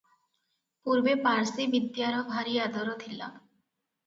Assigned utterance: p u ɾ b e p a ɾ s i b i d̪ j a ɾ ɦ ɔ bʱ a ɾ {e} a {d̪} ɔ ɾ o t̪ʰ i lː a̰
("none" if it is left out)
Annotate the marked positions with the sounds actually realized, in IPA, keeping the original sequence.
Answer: i, d̪

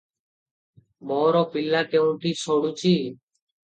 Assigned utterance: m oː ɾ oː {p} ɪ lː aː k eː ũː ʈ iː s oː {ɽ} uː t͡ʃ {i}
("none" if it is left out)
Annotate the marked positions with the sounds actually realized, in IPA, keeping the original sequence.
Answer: p, ɽ, iː

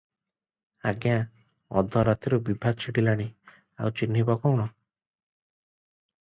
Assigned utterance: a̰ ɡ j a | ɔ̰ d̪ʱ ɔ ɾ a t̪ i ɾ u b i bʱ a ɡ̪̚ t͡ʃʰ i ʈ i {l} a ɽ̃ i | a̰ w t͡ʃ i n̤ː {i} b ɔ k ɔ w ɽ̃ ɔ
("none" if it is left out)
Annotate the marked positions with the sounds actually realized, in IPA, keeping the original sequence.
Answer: l, i

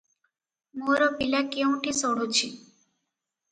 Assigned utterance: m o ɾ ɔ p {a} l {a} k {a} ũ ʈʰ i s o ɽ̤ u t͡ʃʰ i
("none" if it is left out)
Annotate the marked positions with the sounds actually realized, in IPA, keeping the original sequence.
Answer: i, a, e

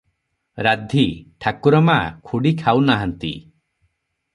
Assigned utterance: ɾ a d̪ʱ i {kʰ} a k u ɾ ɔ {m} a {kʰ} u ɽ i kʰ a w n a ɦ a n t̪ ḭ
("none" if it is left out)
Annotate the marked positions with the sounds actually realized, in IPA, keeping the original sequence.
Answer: ʈʰ, m, kʰ

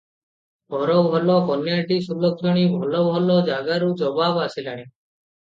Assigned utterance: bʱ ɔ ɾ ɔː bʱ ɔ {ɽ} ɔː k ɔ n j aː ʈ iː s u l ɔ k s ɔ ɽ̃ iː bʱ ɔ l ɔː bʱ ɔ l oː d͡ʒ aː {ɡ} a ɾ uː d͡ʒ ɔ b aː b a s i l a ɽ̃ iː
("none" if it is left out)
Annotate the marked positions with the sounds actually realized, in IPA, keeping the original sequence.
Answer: l, ɡ

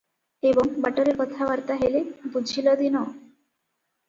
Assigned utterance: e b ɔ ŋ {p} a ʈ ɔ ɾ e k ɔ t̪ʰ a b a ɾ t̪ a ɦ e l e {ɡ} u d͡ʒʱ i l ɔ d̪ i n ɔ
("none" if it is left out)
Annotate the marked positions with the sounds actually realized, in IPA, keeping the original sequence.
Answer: b, b

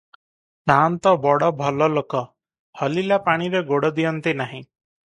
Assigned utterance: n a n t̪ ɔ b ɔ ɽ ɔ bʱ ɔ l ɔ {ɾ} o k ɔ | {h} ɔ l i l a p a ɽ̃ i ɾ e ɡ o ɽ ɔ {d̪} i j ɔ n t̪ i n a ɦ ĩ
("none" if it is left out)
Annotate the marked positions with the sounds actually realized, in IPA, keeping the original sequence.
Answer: l, h, d̪

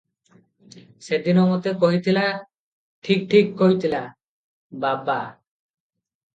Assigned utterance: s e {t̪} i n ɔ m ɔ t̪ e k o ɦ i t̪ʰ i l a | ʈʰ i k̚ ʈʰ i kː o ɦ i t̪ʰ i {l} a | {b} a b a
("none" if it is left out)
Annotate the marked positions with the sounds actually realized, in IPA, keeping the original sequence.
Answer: d̪, l, b

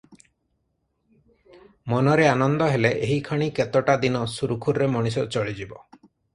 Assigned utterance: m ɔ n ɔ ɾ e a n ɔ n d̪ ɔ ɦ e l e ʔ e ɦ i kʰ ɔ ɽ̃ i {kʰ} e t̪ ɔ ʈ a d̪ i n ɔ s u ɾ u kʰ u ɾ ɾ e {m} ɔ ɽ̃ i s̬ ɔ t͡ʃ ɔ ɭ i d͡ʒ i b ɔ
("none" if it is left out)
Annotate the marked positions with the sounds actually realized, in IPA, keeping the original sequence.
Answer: k, m

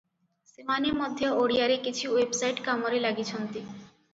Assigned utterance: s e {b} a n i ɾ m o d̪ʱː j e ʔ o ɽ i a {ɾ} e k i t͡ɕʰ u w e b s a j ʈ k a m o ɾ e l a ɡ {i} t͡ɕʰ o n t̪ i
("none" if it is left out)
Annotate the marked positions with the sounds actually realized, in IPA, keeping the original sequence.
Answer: m, ɾ, i

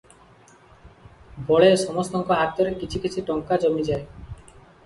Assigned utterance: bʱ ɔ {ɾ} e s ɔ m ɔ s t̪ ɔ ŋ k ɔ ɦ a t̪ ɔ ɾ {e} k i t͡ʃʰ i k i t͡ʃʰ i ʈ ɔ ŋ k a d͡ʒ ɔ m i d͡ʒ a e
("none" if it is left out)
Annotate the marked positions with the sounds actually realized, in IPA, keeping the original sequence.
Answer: ɭ, e

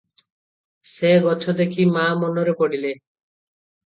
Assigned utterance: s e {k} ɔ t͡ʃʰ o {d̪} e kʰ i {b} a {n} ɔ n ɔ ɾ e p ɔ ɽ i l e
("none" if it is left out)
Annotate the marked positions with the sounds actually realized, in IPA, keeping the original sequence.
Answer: ɡ, d̪, m, m

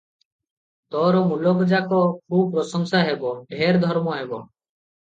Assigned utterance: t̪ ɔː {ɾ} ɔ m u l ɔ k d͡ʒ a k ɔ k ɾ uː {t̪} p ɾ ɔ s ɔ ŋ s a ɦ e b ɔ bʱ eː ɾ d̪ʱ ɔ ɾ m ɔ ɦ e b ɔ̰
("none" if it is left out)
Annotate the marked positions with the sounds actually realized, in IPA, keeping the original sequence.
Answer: ɾ, none

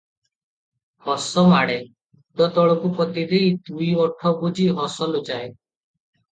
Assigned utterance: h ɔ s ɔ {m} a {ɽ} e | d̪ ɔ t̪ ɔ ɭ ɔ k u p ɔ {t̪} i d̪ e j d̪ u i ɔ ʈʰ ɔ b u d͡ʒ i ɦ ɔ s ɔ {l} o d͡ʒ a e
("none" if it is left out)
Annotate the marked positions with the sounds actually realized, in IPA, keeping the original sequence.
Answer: m, ɽ, t̪, l

